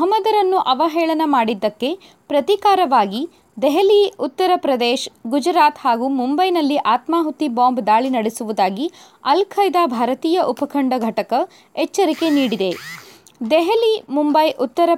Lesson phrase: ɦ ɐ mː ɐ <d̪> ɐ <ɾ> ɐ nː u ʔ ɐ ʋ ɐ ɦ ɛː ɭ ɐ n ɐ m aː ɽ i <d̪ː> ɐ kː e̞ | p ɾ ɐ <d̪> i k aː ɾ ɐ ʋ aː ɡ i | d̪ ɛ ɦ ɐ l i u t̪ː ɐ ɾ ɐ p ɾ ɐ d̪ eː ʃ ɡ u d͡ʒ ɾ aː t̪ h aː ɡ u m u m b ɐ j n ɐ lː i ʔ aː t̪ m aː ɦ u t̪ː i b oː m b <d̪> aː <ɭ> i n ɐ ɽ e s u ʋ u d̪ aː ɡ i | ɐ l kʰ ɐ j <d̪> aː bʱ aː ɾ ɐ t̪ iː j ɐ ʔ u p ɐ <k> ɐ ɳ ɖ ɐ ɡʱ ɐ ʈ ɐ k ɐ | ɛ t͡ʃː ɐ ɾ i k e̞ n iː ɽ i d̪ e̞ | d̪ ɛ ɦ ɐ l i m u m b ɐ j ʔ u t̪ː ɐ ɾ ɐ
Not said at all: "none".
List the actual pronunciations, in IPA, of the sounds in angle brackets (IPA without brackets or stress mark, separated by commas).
d̪, ɾ, d̪ː, t̪, d̪, ɭ, d̪, kʰ